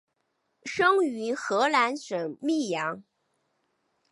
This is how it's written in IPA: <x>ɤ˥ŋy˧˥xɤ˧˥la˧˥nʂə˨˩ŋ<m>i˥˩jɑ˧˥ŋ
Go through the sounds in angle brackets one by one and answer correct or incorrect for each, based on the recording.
incorrect, correct

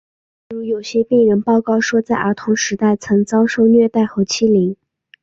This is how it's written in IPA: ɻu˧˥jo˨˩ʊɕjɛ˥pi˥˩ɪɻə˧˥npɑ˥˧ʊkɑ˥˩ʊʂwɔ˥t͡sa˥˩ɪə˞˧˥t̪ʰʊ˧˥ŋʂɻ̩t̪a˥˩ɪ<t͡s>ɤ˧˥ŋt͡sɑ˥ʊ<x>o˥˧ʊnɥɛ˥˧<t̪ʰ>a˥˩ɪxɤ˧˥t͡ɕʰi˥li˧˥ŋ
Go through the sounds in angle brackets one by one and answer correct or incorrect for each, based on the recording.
incorrect, incorrect, incorrect

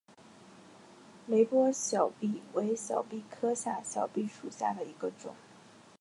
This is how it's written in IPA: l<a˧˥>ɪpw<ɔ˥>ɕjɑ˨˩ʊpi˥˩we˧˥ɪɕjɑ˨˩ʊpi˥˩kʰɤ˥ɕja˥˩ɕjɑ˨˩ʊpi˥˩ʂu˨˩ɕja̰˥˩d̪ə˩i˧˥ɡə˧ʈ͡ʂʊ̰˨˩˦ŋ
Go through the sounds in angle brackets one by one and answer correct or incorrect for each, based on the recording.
incorrect, correct

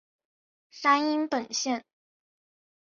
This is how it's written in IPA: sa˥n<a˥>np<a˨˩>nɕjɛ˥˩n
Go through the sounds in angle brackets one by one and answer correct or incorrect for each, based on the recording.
incorrect, incorrect

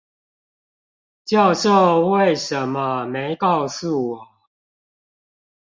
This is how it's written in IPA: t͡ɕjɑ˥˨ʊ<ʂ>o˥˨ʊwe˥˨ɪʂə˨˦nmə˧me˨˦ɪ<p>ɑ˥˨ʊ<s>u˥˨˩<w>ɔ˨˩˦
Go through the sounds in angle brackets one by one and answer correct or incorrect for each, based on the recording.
correct, incorrect, correct, correct

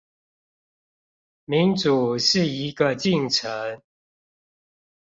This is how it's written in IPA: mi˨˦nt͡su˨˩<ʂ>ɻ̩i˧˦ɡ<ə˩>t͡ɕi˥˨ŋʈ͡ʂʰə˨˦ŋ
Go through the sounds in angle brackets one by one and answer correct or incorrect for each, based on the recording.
correct, incorrect

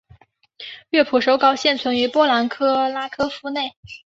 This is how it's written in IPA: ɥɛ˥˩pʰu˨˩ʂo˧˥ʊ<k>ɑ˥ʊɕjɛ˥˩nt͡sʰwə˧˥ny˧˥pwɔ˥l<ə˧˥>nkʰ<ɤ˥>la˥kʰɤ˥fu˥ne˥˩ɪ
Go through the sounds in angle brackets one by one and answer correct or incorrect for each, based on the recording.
correct, incorrect, correct

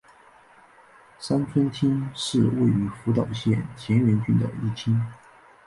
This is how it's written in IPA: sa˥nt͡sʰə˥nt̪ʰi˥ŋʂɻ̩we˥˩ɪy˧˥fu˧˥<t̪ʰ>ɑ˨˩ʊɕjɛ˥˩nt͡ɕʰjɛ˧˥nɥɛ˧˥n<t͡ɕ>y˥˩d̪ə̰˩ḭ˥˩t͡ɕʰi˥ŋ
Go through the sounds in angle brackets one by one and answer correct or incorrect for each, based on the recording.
incorrect, correct

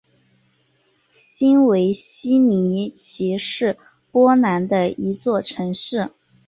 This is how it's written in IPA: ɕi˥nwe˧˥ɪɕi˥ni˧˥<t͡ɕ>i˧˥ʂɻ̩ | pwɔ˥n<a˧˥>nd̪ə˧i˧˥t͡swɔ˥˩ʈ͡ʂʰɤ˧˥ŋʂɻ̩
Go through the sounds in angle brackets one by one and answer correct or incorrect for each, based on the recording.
incorrect, correct

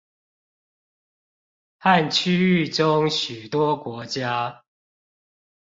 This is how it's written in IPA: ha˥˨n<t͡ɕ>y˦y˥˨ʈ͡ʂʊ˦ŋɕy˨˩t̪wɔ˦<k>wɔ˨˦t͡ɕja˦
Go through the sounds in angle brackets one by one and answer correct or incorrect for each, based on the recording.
incorrect, correct

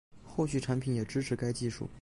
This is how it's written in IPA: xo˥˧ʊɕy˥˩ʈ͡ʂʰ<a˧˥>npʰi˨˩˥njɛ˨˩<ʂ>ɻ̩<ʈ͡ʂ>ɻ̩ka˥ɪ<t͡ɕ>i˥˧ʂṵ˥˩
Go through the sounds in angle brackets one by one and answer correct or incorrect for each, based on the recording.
correct, incorrect, incorrect, correct

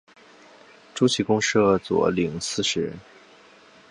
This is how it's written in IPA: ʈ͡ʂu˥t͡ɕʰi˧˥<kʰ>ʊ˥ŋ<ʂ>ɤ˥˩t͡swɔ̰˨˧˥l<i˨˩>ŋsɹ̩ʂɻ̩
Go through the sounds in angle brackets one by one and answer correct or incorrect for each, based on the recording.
incorrect, correct, correct

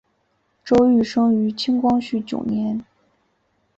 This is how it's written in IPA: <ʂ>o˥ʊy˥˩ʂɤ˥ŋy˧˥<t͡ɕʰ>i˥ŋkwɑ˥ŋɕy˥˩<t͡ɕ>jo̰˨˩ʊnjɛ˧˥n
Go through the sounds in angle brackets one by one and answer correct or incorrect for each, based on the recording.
incorrect, correct, correct

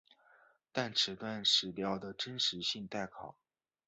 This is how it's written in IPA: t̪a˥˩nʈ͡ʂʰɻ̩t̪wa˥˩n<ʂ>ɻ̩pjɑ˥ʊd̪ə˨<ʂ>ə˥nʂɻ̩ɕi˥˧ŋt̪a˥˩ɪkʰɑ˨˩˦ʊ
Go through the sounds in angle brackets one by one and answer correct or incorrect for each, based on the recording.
correct, incorrect

